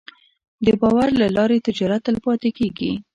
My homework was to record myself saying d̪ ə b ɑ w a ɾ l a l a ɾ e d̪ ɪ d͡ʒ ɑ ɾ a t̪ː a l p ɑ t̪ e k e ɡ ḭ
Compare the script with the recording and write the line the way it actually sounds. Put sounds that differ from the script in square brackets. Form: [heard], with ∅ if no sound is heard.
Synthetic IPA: d̪ ə b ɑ w a ɾ l a l [ɑ] ɾ e [t̪] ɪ d͡ʒ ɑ ɾ a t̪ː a l p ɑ t̪ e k e ɡ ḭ